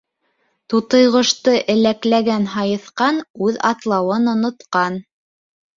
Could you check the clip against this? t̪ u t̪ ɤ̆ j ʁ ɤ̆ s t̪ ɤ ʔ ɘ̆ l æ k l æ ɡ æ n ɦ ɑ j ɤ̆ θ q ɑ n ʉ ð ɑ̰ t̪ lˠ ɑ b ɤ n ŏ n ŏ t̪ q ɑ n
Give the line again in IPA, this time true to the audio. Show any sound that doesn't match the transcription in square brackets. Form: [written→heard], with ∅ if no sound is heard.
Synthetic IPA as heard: t̪ u t̪ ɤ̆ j ʁ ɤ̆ [s→ʃ] t̪ ɤ ʔ ɘ̆ l æ k l æ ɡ æ n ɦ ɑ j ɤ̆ θ q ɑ n ʉ ð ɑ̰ t̪ lˠ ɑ [b→w] ɤ n ŏ n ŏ t̪ q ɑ n